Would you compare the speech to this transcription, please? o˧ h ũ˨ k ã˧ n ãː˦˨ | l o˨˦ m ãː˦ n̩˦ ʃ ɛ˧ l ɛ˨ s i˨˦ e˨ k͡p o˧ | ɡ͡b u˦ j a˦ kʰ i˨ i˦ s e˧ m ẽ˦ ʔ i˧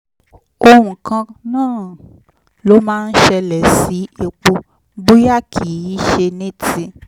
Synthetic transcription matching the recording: o˧ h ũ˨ k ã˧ n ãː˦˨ | l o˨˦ m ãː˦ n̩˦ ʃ ɛ˧ l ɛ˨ s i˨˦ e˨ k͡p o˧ | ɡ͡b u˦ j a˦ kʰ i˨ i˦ ʃ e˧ n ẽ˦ t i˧